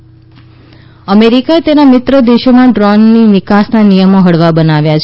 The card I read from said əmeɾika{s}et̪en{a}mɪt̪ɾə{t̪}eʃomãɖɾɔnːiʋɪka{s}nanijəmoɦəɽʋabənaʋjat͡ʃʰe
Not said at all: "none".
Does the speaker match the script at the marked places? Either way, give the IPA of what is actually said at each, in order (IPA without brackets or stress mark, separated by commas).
none, a, d̪, s